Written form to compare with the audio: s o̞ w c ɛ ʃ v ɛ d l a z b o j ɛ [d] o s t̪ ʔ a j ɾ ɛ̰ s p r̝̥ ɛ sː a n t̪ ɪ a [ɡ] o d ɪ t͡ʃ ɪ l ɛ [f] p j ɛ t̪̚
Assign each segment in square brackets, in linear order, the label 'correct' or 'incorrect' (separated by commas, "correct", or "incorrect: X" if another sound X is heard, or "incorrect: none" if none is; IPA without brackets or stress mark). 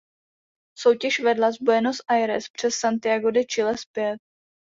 incorrect: n, correct, incorrect: s